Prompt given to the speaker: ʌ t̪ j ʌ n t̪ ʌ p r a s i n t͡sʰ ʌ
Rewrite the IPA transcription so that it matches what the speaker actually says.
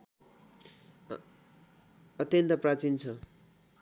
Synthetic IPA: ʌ t̪ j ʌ n t̪ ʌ p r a t͡s i n t͡sʰ ʌ